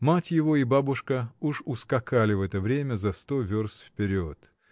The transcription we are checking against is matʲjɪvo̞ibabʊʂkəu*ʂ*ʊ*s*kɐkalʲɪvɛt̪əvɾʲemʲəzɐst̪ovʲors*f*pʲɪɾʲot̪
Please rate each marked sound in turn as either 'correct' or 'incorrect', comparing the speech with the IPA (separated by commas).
correct, correct, correct